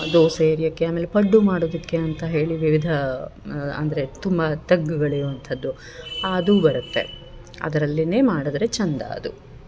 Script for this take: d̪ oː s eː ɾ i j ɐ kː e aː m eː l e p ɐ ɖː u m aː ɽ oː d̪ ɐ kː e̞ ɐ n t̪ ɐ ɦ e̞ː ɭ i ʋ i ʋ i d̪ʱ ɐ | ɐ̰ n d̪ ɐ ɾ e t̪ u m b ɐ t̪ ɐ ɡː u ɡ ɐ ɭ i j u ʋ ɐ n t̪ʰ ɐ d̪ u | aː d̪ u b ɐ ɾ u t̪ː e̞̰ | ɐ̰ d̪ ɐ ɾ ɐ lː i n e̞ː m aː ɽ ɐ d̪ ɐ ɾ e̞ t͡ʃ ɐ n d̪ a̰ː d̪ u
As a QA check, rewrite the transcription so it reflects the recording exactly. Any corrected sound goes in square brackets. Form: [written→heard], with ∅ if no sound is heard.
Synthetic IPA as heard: d̪ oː s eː ɾ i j ɐ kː e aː m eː l e p ɐ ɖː u m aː ɽ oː d̪ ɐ kː e̞ ɐ n t̪ ɐ ɦ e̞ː ɭ i ʋ i ʋ i d̪ʱ ɐ | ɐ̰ n d̪ ɐ ɾ e t̪ u m b ɐ t̪ ɐ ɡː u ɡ ɐ ɭ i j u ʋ ɐ n t̪ʰ ɐ [d̪→d̪ː] u | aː d̪ u b ɐ ɾ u t̪ː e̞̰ | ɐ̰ d̪ ɐ ɾ ɐ lː i n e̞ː m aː ɽ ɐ d̪ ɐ ɾ e̞ t͡ʃ ɐ n d̪ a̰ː d̪ u

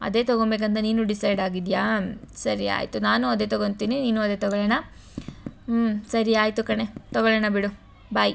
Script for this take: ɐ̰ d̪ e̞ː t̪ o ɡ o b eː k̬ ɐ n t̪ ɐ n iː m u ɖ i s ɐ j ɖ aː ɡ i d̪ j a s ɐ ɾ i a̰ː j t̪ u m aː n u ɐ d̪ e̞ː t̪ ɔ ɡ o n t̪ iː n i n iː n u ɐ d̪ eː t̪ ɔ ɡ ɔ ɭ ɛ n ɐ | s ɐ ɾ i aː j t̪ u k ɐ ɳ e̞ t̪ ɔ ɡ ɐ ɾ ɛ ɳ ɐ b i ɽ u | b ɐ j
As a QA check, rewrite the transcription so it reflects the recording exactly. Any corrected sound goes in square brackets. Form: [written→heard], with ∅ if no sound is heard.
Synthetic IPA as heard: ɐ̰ d̪ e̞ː t̪ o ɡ o b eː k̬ ɐ n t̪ ɐ n iː [m→n] u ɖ i s ɐ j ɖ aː ɡ i d̪ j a s ɐ ɾ i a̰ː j t̪ u [m→n] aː n u ɐ d̪ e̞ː t̪ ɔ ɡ o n t̪ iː n i n iː n u ɐ d̪ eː t̪ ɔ ɡ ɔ ɭ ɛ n ɐ | s ɐ ɾ i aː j t̪ u k ɐ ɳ e̞ t̪ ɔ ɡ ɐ [ɾ→ɭ] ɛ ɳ ɐ b i ɽ u | b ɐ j

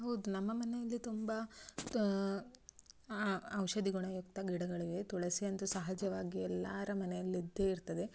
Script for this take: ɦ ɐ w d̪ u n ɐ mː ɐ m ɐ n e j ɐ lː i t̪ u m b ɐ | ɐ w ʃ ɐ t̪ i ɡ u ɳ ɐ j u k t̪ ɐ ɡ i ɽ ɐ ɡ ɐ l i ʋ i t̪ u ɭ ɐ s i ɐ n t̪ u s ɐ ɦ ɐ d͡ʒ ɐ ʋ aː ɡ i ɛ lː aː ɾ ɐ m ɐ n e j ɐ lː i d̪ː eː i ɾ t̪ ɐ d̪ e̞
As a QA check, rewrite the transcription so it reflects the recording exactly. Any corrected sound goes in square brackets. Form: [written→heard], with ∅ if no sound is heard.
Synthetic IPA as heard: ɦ ɐ w d̪ u n ɐ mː ɐ m ɐ n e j ɐ lː i t̪ u m b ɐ | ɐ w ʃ ɐ [t̪→d̪] i ɡ u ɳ ɐ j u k t̪ ɐ ɡ i ɽ ɐ ɡ ɐ [l→ɭ] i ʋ [i→e] t̪ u ɭ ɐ s i ɐ n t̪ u s ɐ ɦ ɐ d͡ʒ ɐ ʋ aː ɡ i ɛ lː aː ɾ ɐ m ɐ n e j ɐ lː i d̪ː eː i ɾ t̪ ɐ d̪ e̞

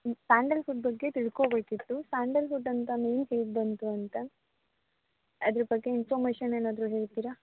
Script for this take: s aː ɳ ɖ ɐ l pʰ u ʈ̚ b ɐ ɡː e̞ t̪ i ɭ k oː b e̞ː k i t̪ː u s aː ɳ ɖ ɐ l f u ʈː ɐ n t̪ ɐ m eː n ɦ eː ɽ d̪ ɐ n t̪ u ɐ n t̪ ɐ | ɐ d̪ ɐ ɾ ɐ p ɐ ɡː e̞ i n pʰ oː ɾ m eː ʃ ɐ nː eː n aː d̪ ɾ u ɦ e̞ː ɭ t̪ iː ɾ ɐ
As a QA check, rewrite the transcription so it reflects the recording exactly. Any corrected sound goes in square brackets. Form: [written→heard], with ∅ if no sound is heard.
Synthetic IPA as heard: s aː ɳ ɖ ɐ l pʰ u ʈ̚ b ɐ ɡː e̞ t̪ i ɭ k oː b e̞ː k i t̪ː u s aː ɳ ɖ ɐ l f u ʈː ɐ n t̪ ɐ m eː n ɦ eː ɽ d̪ ɐ n t̪ u ɐ n t̪ ɐ | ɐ d̪ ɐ ɾ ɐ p ɐ ɡː e̞ i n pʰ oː ɾ m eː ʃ ɐ [nː→n] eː n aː d̪ ɾ u ɦ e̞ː ɭ t̪ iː ɾ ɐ

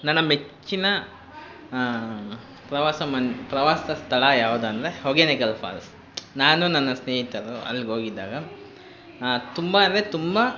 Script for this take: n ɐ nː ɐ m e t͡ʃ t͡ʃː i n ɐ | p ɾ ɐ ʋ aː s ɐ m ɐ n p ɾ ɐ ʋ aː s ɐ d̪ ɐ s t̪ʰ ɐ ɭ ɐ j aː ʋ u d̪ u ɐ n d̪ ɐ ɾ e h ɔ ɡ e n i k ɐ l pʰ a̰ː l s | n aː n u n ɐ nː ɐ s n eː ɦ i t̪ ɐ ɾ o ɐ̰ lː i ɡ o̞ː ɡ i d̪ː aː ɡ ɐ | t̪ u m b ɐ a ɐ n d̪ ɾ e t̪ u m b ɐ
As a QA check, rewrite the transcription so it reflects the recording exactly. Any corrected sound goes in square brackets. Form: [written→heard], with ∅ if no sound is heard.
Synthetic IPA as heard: n ɐ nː ɐ m e t͡ʃ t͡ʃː i n ɐ | p ɾ ɐ ʋ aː s ɐ m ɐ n p ɾ ɐ ʋ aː s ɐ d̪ ɐ s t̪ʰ ɐ ɭ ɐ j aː ʋ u d̪ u ɐ n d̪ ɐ ɾ e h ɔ ɡ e n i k ɐ l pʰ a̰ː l s | n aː n u n ɐ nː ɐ s n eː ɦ i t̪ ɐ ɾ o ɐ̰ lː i ɡ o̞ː ɡ i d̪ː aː ɡ ɐ | t̪ u m b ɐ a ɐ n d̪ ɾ e t̪ u m b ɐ

